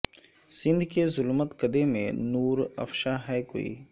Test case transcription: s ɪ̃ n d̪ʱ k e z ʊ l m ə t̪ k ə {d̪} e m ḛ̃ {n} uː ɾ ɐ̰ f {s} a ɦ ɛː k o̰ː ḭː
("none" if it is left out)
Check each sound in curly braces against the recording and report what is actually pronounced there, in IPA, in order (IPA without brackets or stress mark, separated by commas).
d̪, n, ʃ